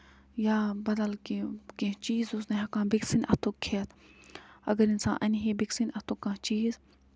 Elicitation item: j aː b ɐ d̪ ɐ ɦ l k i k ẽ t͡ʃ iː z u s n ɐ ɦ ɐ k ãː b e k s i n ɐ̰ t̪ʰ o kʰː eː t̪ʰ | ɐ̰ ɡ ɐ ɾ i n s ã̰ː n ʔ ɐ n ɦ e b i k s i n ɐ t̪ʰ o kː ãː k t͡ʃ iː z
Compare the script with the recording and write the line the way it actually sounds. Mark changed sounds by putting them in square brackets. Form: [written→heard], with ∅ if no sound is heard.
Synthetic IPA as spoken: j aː b ɐ d̪ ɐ [ɦ→∅] l k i k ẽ t͡ʃ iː z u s n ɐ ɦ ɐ k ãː b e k s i n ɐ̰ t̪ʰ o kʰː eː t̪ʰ | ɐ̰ ɡ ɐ ɾ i n s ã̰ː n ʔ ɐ n ɦ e b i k s i n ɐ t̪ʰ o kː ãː [k→∅] t͡ʃ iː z